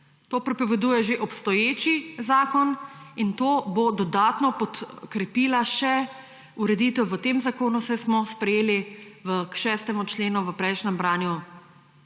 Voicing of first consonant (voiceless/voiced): voiceless